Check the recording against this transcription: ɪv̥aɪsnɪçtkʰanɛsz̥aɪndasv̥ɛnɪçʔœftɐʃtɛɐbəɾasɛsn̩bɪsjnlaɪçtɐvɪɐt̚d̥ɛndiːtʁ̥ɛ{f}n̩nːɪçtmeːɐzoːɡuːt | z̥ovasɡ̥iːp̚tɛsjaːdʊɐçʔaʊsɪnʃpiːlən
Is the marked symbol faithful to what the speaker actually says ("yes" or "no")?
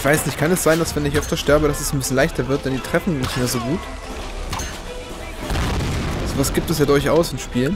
yes